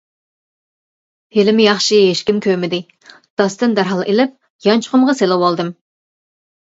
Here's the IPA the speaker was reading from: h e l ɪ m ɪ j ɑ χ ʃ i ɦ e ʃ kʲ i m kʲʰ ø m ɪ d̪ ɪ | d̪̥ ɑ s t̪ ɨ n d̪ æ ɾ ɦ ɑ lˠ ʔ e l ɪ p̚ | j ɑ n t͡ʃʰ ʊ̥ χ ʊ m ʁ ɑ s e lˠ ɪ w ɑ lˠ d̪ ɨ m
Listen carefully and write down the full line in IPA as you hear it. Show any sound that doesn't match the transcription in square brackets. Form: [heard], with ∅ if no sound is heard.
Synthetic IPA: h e l ɪ m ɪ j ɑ χ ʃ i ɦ e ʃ kʲ i m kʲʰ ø m ɪ d̪ ɪ | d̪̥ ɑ s t̪ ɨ n d̪ æ ɾ ɦ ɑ lˠ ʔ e l ɪ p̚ | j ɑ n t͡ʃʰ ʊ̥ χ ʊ m ʁ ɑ s e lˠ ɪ w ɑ lˠ d̪ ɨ m

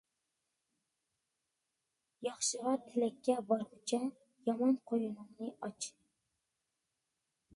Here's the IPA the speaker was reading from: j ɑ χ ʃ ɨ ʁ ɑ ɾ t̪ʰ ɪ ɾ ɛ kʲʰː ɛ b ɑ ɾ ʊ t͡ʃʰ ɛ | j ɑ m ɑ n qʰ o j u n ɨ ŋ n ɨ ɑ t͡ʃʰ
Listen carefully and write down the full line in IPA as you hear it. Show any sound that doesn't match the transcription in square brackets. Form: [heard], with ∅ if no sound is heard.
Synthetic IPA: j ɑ χ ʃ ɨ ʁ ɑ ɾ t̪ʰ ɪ [l] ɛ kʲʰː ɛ b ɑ ɾ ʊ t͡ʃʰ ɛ | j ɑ m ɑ n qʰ o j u n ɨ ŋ n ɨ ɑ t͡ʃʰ

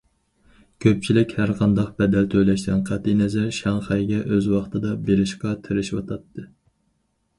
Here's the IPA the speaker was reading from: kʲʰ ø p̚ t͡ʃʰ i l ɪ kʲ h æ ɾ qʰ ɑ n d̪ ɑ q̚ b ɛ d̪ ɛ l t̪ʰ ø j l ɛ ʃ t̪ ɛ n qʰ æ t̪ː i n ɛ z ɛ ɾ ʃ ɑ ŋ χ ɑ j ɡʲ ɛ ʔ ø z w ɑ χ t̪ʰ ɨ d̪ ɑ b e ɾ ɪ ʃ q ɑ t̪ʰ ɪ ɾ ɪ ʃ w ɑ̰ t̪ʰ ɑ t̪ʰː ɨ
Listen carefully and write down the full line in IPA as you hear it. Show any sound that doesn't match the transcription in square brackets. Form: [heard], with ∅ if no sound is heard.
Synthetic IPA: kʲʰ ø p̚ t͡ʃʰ i l ɪ kʲ h æ ɾ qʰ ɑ n d̪ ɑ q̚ b ɛ d̪ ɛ l t̪ʰ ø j l ɛ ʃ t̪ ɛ n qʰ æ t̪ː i n ɛ z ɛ ɾ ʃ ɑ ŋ χ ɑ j ɡʲ ɛ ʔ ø z w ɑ χ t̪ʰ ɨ d̪ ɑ b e ɾ ɪ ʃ q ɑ t̪ʰ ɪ ɾ ɪ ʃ w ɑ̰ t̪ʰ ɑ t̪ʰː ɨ

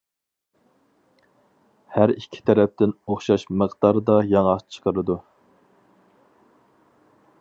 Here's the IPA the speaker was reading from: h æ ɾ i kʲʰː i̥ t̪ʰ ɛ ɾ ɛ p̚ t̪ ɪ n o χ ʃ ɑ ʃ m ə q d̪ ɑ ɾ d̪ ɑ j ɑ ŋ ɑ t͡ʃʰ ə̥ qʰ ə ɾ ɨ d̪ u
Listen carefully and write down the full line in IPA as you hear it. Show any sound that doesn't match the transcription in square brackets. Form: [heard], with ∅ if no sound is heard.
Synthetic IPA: h æ ɾ i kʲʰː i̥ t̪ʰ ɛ ɾ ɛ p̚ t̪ ɪ n o χ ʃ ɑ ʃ m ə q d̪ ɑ ɾ d̪ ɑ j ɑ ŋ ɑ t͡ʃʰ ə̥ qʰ ə ɾ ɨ d̪ u

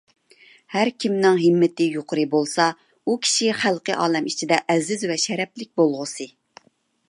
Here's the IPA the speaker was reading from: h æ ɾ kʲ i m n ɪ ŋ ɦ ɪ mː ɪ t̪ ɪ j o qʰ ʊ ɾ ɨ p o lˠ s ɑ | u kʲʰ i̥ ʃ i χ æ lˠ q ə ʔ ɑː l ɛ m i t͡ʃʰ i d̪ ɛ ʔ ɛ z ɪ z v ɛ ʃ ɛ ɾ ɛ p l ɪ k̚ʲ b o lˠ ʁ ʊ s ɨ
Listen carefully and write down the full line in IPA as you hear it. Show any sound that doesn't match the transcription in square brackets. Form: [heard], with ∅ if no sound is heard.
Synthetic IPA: h æ ɾ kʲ i m n ɪ ŋ ɦ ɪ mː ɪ t̪ ɪ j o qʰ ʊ ɾ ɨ [b] o lˠ s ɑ | u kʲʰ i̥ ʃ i χ æ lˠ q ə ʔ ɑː l ɛ m i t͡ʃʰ i d̪ ɛ ʔ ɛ z ɪ z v ɛ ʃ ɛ ɾ ɛ p l ɪ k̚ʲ b o lˠ ʁ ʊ s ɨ

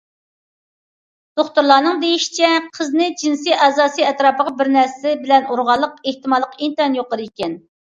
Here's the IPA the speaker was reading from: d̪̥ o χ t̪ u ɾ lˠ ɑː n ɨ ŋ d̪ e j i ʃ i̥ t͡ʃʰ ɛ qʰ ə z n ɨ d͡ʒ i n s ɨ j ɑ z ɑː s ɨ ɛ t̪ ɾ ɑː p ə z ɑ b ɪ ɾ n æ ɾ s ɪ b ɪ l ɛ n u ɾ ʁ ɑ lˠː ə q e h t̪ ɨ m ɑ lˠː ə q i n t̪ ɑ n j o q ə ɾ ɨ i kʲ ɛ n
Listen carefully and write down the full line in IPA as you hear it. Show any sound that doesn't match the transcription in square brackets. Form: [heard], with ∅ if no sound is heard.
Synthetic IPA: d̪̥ o χ t̪ u ɾ lˠ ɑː n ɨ ŋ d̪ e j i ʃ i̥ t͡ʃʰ ɛ qʰ ə z n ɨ d͡ʒ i n s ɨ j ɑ z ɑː s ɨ ɛ t̪ ɾ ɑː p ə [ʁ] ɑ b ɪ ɾ n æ ɾ s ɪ b ɪ l ɛ n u ɾ ʁ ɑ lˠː ə q e h t̪ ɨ m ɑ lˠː ə q i n t̪ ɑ n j o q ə ɾ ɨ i kʲ ɛ n

